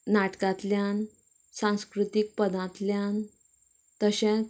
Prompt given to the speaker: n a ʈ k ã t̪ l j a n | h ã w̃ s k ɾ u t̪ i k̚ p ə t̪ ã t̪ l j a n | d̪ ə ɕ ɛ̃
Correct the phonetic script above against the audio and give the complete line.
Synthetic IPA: n a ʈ k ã t̪ l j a n | s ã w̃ s k ɾ u t̪ i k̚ p ə d̪ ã t̪ l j a n | t̪ ə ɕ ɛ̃